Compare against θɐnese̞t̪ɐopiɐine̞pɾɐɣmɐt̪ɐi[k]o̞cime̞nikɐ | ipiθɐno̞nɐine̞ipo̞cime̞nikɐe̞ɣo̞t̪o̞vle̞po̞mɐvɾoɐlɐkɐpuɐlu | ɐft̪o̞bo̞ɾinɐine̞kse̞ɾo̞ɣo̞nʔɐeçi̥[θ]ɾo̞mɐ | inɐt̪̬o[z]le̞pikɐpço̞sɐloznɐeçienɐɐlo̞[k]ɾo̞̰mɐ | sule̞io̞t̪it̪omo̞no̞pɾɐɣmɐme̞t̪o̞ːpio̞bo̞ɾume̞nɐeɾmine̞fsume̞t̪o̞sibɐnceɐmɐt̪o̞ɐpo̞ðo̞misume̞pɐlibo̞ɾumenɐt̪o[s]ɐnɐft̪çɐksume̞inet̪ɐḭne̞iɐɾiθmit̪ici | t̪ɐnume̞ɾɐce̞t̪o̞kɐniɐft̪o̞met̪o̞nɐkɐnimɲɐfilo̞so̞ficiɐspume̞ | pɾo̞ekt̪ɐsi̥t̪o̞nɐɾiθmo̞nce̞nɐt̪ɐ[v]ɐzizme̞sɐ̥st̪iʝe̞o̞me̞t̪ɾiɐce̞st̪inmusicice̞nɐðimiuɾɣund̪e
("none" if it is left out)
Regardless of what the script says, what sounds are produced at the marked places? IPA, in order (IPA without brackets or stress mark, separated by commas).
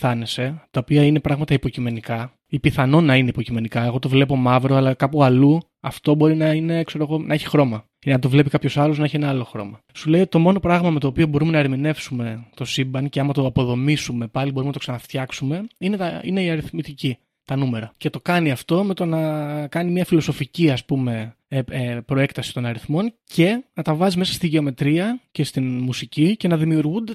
p, x, v, x, s, v